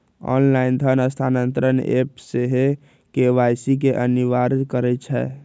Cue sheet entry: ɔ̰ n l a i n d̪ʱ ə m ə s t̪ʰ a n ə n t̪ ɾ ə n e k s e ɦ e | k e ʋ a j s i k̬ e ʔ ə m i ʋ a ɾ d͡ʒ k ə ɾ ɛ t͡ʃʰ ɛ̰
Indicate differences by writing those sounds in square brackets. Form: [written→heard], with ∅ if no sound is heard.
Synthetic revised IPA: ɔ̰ n l a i n d̪ʱ ə [m→n] ə s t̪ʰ a n ə n t̪ ɾ ə n e [k→p] s e ɦ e | k e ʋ a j s i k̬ e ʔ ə [m→n] i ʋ a ɾ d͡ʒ k ə ɾ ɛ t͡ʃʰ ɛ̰